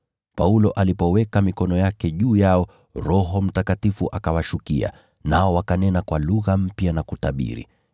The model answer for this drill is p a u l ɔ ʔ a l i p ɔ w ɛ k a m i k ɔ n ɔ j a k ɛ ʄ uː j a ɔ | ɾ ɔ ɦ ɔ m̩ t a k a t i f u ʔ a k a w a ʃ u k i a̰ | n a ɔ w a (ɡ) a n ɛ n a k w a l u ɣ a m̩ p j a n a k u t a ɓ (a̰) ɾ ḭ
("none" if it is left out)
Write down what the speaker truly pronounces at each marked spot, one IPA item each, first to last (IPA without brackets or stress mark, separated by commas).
k, ḭ